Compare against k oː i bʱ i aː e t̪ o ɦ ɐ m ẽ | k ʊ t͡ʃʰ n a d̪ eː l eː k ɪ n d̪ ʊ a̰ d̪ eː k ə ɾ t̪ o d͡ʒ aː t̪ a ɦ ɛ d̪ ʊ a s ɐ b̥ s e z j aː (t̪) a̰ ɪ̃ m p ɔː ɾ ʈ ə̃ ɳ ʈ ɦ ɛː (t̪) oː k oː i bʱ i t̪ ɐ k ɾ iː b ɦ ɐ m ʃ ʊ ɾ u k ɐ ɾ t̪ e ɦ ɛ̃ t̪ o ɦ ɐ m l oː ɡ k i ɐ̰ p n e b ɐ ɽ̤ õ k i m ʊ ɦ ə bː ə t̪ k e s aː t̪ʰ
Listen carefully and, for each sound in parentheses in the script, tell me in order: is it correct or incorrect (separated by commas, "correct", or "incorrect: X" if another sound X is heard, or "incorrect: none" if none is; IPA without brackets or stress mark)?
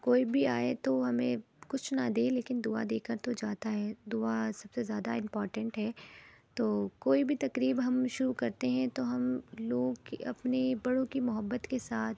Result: incorrect: d̪, correct